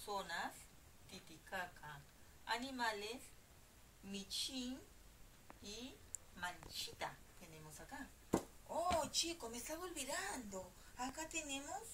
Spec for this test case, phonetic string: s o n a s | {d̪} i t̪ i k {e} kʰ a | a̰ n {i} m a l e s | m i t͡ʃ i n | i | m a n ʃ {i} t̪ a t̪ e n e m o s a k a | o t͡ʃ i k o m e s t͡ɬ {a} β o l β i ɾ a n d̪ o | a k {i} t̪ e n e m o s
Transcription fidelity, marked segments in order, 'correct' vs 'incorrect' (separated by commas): incorrect, incorrect, correct, correct, correct, incorrect